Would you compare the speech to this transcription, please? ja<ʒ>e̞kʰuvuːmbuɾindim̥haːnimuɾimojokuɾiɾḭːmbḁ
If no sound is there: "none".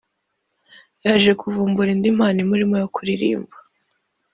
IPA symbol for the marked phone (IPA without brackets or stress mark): ʒ